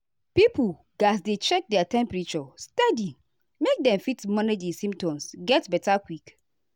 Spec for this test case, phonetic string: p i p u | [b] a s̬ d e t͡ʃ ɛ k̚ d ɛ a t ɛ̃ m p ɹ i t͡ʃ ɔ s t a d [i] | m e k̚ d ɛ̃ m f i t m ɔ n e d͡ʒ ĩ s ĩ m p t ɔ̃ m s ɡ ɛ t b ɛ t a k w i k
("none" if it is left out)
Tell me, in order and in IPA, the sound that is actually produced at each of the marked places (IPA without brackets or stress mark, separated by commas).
ɡ, i